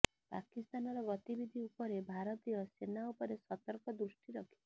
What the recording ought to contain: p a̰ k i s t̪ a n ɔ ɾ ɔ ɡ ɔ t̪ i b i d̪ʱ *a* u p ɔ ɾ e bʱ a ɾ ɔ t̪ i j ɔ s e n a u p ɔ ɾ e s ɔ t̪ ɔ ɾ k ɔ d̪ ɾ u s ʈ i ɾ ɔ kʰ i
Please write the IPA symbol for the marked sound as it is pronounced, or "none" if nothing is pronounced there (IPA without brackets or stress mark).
i